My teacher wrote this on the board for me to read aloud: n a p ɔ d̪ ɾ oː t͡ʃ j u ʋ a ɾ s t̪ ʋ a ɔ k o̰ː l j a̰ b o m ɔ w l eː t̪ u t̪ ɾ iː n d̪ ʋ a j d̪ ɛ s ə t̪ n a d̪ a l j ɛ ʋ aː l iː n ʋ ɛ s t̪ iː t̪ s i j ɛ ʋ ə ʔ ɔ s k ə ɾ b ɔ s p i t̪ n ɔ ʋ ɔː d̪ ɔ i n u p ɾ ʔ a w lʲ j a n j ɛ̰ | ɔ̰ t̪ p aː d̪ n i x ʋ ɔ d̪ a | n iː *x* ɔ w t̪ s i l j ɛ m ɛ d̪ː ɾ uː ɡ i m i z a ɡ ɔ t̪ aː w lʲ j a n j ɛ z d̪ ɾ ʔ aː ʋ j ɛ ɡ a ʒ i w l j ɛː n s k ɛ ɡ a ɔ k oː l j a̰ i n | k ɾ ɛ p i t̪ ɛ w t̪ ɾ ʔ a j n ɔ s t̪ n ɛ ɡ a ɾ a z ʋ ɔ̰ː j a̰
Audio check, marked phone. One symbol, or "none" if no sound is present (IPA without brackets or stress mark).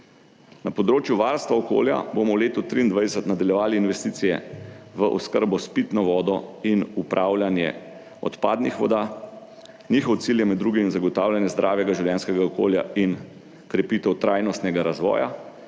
x